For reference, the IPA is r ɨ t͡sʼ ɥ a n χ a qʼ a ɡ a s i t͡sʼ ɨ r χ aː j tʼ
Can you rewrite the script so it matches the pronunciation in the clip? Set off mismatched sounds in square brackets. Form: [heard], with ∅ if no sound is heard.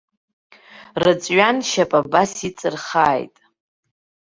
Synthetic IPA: r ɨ t͡sʼ ɥ a n [ʃ] a [pʼ] a [b] a s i t͡sʼ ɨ r χ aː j tʼ